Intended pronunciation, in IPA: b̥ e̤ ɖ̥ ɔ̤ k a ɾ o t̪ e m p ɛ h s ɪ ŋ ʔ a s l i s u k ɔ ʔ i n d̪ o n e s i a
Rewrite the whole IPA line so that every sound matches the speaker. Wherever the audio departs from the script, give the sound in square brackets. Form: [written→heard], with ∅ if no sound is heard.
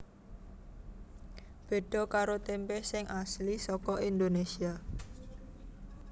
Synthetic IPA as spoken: b̥ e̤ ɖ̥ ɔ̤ k a ɾ o t̪ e m p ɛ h s ɪ ŋ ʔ a s l i s [u→ɔ] k ɔ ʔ i n d̪ o n e s i a